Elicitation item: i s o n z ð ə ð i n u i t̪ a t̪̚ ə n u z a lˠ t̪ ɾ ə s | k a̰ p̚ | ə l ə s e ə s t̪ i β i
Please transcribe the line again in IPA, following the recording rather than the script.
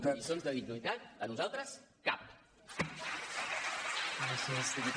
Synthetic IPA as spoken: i s o n z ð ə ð i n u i t̪ a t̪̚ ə n u z a lˠ t̪ ɾ ə s | k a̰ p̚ | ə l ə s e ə s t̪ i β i